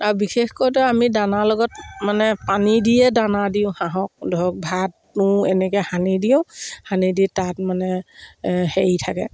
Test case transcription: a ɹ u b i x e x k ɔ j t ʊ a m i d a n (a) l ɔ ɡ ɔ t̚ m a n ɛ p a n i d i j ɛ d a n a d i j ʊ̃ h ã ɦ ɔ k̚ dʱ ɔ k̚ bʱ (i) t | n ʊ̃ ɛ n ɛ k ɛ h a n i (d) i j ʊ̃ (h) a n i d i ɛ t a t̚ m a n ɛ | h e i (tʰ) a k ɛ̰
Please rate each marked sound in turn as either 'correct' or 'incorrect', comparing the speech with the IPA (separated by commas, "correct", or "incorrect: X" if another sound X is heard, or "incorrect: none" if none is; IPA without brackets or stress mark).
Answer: correct, incorrect: a, correct, correct, correct